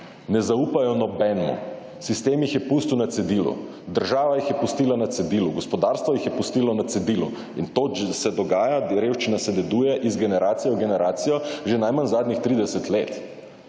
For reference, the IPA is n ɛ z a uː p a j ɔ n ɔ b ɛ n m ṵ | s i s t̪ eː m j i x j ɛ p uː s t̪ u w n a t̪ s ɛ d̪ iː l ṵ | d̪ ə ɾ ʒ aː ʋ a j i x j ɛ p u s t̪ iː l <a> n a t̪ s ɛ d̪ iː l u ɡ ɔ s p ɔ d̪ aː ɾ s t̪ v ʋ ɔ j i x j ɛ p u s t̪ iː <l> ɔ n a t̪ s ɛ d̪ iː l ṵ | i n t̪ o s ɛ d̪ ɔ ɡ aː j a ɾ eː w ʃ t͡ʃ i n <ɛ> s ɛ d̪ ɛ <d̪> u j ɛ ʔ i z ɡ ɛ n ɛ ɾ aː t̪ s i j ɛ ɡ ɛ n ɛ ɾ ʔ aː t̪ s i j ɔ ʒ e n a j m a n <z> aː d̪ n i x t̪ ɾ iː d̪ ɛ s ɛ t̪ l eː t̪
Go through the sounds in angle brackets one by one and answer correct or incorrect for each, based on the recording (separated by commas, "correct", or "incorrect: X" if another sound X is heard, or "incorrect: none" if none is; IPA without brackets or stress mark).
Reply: correct, correct, incorrect: a, correct, correct